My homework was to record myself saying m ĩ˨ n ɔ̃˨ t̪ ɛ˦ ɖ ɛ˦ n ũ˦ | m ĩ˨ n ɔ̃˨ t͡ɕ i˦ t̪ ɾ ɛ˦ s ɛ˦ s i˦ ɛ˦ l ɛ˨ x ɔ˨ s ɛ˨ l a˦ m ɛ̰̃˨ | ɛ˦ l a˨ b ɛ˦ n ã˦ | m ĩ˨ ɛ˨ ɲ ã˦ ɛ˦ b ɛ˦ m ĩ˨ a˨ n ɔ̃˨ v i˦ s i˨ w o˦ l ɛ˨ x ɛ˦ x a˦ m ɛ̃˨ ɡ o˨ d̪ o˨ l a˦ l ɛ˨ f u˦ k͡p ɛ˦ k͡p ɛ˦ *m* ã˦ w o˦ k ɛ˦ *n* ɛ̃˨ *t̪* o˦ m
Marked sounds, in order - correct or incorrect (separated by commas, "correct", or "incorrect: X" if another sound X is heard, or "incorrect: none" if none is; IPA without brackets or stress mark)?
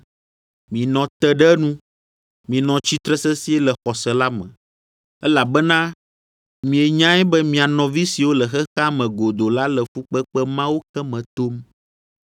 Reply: correct, incorrect: m, correct